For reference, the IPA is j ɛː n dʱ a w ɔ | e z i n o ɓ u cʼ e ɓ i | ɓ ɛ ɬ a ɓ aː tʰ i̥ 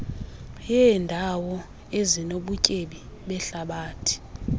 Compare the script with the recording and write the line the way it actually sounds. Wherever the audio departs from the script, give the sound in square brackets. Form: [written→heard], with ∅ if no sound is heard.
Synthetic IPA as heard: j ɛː n dʱ a w ɔ | e z i n o ɓ u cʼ e ɓ i | ɓ ɛ ɬ a ɓ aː tʰ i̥